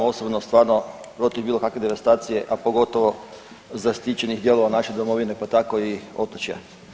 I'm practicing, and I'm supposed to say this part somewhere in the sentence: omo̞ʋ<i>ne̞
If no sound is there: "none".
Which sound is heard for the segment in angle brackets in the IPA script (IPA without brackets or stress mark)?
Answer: i